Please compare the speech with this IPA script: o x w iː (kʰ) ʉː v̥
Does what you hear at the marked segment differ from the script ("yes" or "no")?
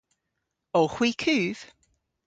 no